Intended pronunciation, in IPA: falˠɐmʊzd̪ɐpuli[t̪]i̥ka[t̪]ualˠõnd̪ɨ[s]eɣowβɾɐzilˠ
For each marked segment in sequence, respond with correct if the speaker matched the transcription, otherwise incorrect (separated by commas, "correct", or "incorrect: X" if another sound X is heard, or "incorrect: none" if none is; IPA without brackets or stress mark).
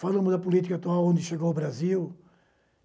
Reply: correct, correct, incorrect: ʃ